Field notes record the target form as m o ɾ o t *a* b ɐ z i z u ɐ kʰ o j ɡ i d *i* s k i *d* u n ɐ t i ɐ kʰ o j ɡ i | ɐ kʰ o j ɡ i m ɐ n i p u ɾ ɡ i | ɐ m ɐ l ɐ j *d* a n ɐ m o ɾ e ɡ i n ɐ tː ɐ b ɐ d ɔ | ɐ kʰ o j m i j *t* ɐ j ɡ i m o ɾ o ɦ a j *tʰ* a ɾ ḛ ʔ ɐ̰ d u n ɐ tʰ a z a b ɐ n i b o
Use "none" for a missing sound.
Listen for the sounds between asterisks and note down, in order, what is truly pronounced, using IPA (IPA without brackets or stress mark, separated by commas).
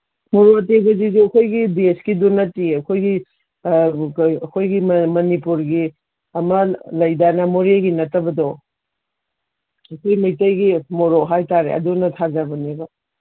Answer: e, e, d, d, t, t